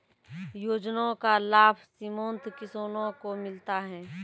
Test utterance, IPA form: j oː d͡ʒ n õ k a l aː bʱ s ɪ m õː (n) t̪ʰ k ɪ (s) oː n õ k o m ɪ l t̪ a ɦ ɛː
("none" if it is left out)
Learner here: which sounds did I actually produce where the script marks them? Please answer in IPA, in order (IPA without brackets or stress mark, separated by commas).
n, s